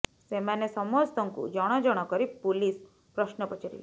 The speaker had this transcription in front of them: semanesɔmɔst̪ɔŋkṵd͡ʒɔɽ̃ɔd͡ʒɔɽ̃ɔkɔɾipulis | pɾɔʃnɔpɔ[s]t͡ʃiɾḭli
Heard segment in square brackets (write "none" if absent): none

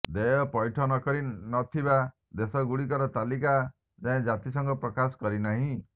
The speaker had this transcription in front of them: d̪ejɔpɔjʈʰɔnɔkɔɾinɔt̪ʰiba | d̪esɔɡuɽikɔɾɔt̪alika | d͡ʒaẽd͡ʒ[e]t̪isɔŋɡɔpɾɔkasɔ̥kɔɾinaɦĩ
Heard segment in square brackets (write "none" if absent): a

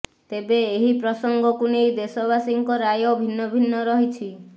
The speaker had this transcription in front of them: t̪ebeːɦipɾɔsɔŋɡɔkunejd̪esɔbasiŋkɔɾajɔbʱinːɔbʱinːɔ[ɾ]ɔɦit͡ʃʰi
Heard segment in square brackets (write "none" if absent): ɾ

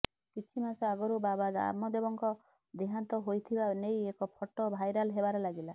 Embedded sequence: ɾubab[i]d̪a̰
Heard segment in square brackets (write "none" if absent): a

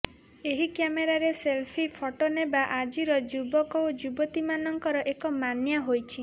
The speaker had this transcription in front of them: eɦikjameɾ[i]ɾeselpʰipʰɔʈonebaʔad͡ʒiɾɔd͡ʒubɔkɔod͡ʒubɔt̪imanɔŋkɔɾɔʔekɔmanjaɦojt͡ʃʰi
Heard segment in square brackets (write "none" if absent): a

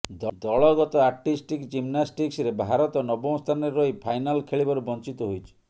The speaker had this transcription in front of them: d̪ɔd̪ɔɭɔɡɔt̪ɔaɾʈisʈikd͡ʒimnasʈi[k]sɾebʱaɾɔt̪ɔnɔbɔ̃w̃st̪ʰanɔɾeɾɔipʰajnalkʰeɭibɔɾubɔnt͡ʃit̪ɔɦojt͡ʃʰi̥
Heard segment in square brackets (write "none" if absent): k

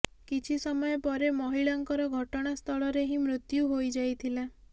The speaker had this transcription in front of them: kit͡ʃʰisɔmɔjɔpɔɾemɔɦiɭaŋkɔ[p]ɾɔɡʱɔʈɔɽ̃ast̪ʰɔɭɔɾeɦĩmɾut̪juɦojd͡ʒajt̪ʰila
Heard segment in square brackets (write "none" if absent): none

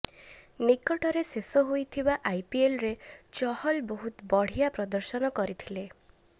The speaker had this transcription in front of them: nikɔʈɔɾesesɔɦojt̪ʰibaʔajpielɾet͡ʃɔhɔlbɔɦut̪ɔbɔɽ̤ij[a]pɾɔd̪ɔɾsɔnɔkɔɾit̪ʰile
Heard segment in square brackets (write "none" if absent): a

